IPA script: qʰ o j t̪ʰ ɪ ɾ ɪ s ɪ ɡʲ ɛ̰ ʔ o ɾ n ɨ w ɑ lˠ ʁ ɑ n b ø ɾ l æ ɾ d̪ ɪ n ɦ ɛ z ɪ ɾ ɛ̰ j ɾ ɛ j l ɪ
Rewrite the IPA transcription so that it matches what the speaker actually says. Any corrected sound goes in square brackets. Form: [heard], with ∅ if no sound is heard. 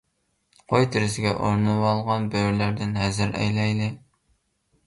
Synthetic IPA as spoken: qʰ o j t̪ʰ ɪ ɾ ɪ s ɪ ɡʲ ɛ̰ ʔ o ɾ n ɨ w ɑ lˠ ʁ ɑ n b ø ɾ l æ ɾ d̪ ɪ n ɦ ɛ z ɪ ɾ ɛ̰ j [l] ɛ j l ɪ